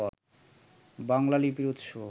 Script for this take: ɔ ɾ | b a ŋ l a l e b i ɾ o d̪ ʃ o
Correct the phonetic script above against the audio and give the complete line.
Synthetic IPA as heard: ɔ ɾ | b a ŋ l a l i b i ɾ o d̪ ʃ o